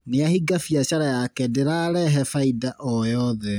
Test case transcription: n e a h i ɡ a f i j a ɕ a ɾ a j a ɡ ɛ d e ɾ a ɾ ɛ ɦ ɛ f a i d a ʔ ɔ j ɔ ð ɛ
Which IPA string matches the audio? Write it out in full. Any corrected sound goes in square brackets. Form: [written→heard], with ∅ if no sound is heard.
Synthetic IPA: n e a h i ɡ a f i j a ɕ a ɾ a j a [ɡ→k] ɛ d e ɾ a ɾ ɛ ɦ ɛ f a i d a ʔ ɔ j ɔ ð ɛ